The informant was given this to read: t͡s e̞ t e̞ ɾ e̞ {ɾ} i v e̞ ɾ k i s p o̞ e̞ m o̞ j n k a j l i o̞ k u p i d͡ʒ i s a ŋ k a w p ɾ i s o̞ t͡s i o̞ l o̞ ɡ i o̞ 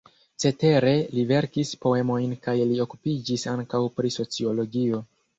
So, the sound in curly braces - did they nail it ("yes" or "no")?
no